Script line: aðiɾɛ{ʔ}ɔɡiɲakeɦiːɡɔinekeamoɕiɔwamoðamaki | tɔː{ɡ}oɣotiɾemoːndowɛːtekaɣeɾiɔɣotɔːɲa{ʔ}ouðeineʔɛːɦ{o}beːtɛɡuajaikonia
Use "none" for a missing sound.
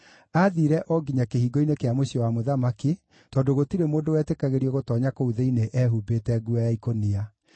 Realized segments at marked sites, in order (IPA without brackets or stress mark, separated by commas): ʔ, d, k, u